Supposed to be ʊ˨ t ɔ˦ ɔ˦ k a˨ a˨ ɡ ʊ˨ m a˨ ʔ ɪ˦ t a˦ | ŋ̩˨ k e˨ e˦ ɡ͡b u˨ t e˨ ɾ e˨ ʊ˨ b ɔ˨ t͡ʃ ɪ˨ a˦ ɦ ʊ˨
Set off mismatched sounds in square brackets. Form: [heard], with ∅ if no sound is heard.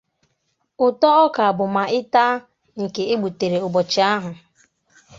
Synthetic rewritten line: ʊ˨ t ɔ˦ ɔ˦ k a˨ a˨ [b] ʊ˨ m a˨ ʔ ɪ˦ t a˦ | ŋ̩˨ k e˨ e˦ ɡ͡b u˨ t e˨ ɾ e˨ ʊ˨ b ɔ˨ t͡ʃ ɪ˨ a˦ ɦ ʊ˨